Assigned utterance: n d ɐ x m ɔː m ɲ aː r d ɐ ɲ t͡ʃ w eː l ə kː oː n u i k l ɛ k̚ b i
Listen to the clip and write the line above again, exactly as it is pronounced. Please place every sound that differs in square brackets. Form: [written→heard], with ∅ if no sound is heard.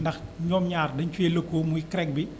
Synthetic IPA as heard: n d ɐ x [m→ɲ] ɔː m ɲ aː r d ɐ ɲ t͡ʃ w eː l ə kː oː [n→m] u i k [l→ɾ] ɛ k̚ b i